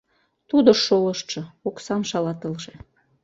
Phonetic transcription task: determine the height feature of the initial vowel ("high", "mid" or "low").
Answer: high